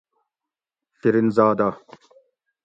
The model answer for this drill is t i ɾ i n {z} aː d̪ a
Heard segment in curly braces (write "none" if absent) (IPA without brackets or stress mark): z